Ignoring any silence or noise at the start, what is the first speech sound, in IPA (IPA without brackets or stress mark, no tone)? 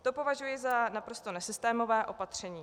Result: t̪